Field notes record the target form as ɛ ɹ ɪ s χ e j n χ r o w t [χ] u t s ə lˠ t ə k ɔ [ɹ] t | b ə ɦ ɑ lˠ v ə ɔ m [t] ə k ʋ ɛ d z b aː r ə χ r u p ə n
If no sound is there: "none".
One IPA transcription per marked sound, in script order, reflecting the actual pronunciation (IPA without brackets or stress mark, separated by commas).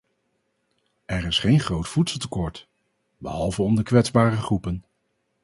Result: f, ɹ, d